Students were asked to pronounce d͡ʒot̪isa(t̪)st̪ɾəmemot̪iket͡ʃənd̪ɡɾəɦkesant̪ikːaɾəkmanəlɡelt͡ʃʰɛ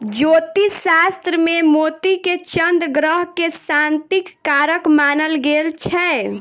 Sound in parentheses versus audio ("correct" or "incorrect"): incorrect